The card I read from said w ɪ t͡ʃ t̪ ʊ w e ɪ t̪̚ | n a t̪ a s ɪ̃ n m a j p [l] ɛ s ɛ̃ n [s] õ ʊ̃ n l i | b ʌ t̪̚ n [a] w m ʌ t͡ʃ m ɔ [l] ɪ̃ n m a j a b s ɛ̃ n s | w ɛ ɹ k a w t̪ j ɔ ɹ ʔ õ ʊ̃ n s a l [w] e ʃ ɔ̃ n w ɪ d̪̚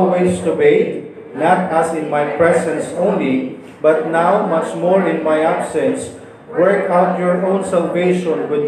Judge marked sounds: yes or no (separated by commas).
no, yes, yes, no, no